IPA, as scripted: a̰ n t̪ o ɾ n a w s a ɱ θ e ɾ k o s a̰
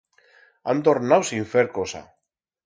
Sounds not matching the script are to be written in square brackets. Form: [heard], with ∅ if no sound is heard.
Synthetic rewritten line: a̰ n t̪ o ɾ n a w s [i] ɱ [f] e ɾ k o s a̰

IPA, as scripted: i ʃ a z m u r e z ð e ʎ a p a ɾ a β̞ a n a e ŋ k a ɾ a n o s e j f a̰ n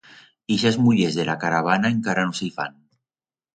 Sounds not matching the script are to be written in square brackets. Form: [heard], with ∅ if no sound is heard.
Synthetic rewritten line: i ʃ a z m u [ʎ] e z ð e [l] a [k] a ɾ a β̞ a n a e ŋ k a ɾ a n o s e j f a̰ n

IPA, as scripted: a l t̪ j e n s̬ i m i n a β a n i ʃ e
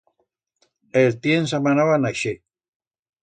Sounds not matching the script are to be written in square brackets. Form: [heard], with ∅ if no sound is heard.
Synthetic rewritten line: [e] l t̪ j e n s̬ [a] m [a] n a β a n [a] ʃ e

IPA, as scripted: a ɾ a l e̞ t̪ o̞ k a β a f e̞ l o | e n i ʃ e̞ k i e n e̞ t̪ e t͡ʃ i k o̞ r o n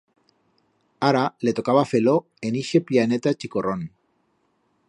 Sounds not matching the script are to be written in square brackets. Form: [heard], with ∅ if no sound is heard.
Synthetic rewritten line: a ɾ a l e̞ t̪ o̞ k a β a f e̞ l o | e n i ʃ e̞ [p] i [a] n e̞ t̪ [a] t͡ʃ i k o̞ r o n

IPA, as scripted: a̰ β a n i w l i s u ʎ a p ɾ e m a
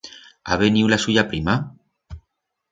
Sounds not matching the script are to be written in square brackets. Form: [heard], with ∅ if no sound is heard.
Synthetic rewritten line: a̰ β [e] n i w l [a] s u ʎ a p ɾ [i] m a

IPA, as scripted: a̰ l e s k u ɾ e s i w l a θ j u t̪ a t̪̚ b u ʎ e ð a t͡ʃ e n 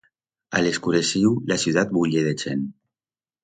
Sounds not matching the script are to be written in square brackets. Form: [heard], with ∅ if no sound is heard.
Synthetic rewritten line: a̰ l e s k u ɾ e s i w l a [s] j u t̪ a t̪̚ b u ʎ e ð [e] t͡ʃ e n

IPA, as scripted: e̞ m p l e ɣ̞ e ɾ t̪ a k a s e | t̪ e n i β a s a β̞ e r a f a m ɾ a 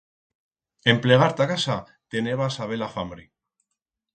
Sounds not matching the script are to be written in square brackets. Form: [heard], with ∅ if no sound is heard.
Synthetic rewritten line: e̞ m p l e ɣ̞ [a] ɾ t̪ a k a s [a] | t̪ e n [e] β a s a β̞ e [l] a f a m ɾ [i]

